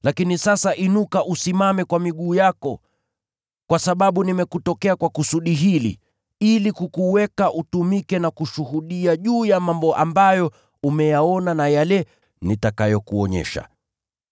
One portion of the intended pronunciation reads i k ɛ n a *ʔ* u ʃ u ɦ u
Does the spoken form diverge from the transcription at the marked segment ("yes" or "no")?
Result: yes